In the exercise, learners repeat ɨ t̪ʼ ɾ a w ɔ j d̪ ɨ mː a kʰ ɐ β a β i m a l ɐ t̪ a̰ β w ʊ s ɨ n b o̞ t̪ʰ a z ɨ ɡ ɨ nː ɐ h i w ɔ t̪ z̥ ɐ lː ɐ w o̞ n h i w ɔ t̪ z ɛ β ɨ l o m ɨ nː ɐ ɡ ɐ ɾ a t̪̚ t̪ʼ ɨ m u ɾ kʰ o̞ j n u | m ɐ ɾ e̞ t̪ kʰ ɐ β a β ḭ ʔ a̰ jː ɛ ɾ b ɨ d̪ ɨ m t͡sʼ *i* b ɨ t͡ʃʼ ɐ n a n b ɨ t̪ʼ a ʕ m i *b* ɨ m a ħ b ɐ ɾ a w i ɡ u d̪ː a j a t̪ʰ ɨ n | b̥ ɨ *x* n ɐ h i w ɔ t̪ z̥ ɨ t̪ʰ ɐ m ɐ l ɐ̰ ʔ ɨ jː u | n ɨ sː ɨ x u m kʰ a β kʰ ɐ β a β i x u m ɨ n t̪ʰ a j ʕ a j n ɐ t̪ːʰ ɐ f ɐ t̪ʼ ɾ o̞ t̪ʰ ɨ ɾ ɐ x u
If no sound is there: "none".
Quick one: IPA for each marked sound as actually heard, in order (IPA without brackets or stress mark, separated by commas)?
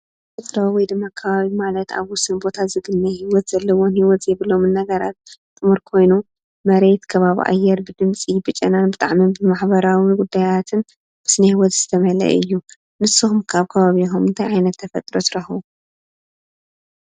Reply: i, b, s